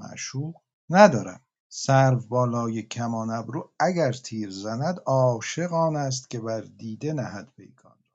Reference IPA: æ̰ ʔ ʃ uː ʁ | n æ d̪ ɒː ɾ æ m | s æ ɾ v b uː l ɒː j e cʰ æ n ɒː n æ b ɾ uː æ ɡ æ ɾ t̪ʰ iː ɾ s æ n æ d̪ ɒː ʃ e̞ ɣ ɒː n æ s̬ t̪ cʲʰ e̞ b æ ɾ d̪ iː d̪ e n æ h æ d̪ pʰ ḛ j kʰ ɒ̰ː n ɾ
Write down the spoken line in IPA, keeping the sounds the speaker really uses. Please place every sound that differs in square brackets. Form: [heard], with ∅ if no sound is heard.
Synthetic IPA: æ̰ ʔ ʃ uː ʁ | n æ d̪ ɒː ɾ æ m | s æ ɾ v b [ɒː] l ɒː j e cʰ æ [m] ɒː n æ b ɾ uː æ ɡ æ ɾ t̪ʰ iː ɾ [z] æ n æ d̪ ɒː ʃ e̞ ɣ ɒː n æ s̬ t̪ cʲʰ e̞ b æ ɾ d̪ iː d̪ e n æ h æ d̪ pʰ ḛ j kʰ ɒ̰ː n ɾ